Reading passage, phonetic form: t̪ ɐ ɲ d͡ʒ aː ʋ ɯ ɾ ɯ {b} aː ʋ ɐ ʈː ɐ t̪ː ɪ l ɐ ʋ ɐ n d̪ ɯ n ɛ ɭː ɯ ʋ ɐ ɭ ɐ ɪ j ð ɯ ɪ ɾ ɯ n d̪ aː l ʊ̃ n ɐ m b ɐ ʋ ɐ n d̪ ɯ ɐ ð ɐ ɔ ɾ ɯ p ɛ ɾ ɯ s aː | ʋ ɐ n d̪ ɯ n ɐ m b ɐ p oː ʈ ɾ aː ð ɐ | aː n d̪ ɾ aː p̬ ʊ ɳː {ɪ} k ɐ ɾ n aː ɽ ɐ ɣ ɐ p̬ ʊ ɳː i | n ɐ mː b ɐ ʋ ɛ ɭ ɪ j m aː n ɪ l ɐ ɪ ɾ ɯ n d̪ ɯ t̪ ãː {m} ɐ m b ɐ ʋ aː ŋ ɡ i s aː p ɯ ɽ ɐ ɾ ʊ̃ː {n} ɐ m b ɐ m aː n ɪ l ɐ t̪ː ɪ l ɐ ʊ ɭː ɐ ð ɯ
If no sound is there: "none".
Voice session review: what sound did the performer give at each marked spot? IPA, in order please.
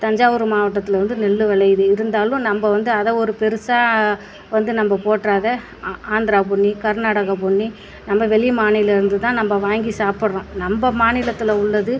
m, i, n, n

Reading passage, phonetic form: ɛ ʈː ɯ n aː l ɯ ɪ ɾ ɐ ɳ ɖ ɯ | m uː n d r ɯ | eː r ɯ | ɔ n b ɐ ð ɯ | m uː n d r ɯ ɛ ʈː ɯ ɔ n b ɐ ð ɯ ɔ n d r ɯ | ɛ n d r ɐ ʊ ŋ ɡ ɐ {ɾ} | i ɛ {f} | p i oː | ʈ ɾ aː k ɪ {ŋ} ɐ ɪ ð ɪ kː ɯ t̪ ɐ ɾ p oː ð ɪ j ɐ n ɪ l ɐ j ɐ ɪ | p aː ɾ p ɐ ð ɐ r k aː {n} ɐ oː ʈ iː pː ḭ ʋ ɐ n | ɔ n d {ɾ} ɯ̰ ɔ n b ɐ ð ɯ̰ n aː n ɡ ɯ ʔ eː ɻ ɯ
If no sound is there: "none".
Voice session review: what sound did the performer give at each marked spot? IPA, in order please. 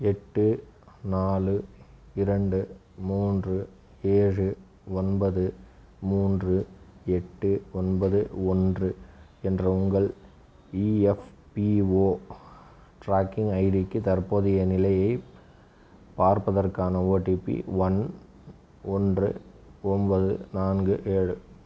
ɭ, f, ŋ, n, r

